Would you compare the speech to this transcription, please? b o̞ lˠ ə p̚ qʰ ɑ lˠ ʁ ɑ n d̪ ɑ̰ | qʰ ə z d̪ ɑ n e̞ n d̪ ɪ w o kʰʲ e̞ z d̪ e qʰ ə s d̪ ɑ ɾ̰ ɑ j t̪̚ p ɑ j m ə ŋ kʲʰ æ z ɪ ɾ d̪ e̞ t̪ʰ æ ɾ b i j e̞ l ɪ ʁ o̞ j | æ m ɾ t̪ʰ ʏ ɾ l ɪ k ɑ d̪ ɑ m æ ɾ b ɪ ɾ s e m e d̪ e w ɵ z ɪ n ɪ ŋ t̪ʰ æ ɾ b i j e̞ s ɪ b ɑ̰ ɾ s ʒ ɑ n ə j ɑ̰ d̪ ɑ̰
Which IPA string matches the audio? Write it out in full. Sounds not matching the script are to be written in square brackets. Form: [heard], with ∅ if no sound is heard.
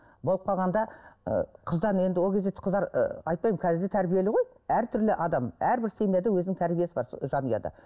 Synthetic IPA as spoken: b o̞ lˠ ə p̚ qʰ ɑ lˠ ʁ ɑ n d̪ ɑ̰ | qʰ ə z d̪ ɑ n e̞ n d̪ ɪ w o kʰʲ e̞ z d̪ e qʰ ə [z] d̪ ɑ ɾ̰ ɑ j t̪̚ p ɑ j m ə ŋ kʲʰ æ z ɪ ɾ d̪ e̞ t̪ʰ æ ɾ b i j e̞ l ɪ ʁ o̞ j | æ [∅] ɾ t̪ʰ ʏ ɾ l ɪ [ʔ] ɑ d̪ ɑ m æ ɾ b ɪ ɾ s e m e d̪ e w ɵ z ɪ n ɪ ŋ t̪ʰ æ ɾ b i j e̞ s ɪ b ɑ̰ ɾ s ʒ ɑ n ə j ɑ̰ d̪ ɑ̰